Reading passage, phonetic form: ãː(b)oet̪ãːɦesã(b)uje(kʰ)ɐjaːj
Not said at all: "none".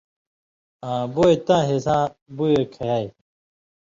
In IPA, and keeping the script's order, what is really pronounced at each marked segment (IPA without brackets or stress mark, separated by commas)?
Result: b, b, kʰ